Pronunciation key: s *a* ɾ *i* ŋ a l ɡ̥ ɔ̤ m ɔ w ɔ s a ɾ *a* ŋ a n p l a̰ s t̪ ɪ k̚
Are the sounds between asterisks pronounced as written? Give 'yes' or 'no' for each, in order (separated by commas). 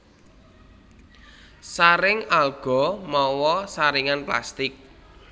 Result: yes, no, no